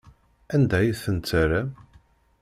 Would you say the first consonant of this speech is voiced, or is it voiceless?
voiced